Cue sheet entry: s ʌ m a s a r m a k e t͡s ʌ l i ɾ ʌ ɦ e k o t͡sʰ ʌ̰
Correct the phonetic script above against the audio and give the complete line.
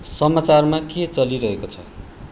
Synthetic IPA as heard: s ʌ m a t͡s a r m a k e t͡s ʌ l i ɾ ʌ ɦ e k o t͡sʰ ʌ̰